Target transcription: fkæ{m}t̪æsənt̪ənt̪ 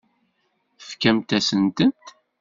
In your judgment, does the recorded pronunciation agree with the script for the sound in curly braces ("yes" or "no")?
yes